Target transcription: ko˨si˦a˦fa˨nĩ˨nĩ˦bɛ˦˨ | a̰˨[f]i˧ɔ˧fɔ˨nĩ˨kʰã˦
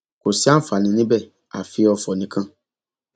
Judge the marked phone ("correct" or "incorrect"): correct